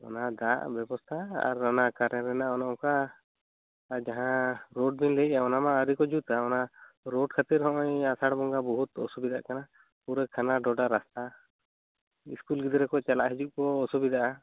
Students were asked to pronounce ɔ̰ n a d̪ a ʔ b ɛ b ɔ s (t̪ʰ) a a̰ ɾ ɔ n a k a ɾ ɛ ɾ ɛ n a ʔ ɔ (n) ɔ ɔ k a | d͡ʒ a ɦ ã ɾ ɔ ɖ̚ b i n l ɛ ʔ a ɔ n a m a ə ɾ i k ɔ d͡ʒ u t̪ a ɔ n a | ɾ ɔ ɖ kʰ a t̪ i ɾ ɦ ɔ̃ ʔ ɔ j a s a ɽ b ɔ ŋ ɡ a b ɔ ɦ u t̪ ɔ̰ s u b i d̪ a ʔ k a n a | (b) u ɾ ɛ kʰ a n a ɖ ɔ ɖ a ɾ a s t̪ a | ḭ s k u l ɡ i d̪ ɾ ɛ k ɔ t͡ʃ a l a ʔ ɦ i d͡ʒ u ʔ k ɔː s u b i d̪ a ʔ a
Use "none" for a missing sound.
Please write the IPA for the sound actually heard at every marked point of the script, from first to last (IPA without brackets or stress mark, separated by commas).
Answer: t̪ʰ, n, p